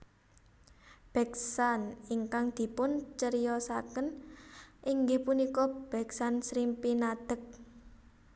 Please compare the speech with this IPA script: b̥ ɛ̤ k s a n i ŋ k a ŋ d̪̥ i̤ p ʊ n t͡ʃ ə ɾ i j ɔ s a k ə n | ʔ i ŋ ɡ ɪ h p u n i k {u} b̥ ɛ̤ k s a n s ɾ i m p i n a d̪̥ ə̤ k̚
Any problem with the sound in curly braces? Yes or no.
yes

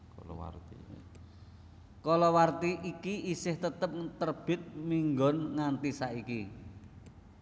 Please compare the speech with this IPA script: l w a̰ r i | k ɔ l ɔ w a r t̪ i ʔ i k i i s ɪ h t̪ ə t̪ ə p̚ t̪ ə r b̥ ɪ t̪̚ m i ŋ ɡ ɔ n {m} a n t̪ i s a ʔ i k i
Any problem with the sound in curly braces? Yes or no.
yes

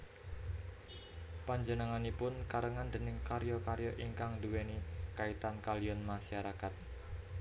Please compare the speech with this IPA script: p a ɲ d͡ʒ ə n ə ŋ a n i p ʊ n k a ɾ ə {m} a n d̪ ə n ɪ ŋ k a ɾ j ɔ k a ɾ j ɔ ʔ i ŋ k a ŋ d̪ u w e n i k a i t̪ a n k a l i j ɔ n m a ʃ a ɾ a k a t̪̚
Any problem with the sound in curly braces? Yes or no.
yes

